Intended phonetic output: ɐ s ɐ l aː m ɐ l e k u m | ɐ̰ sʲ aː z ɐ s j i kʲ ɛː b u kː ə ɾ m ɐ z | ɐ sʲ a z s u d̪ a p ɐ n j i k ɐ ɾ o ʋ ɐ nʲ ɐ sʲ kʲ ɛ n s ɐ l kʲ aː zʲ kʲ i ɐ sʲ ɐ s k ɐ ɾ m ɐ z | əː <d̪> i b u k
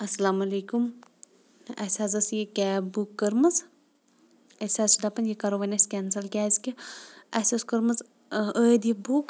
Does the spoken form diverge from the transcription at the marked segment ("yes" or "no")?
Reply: no